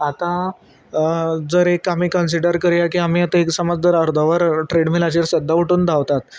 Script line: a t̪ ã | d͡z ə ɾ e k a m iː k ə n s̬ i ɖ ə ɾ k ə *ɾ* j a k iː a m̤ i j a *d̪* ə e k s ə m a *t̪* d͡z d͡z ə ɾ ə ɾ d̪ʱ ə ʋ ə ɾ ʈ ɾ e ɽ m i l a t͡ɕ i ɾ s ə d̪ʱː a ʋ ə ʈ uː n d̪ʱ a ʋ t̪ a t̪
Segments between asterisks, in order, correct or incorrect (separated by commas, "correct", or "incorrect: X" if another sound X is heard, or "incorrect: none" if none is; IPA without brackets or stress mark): correct, incorrect: t̪, incorrect: none